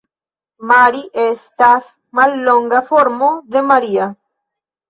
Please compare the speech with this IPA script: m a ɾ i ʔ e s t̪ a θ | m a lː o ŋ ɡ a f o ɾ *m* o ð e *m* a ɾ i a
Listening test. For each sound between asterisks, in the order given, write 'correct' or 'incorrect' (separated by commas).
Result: correct, correct